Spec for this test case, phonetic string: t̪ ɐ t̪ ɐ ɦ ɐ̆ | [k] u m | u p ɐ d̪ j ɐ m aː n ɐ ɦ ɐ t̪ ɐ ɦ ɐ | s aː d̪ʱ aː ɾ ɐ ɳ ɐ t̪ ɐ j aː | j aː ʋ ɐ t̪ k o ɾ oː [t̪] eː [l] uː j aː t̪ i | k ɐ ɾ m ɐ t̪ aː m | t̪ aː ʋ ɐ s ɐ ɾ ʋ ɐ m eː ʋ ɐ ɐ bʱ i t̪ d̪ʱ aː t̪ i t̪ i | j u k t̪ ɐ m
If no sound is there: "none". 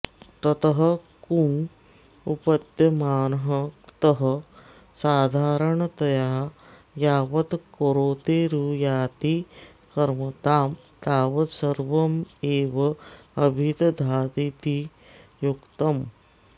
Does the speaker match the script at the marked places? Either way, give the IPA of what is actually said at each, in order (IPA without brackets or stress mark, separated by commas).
k, t̪, ɾ